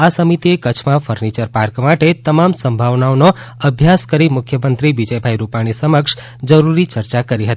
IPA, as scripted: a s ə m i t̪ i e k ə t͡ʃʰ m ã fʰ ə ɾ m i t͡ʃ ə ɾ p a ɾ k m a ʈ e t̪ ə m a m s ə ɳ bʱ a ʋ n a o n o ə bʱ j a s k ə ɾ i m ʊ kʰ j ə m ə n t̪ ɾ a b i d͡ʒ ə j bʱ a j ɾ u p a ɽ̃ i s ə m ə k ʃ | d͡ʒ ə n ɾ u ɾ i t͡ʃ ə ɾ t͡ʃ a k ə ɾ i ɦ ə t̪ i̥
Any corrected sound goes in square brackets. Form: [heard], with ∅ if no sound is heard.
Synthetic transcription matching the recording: a s ə m i t̪ i e k ə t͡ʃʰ m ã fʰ ə ɾ [n] i t͡ʃ ə ɾ p a ɾ k m a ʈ e t̪ ə m a m s ə [m] bʱ a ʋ n a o n o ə bʱ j a s k ə ɾ i m ʊ kʰ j ə m ə n t̪ ɾ [i] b i d͡ʒ ə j bʱ a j ɾ u p a ɽ̃ i s ə m ə k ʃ | d͡ʒ ə [∅] ɾ u ɾ i t͡ʃ ə ɾ t͡ʃ a k ə ɾ i ɦ ə t̪ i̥